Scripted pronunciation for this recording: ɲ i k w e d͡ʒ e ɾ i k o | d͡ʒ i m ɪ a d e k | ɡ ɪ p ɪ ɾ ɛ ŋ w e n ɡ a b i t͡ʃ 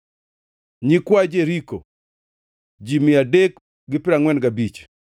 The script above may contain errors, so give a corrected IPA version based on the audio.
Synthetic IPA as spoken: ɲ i k w a d͡ʒ e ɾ i k o | d͡ʒ i m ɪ a d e k | ɡ ɪ p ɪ ɾ a ŋ w ɛ n ɡ a b i t͡ʃ